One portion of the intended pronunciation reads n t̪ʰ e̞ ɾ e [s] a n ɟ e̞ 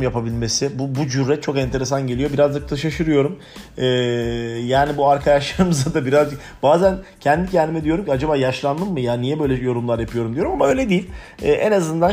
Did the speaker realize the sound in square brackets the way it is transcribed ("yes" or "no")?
yes